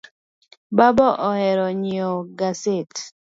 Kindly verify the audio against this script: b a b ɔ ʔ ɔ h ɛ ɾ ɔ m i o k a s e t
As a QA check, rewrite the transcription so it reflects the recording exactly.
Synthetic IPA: b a b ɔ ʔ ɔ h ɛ ɾ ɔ ɲ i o ɡ a s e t